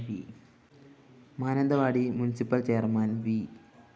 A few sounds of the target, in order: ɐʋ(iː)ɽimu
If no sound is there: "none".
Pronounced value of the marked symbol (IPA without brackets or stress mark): aː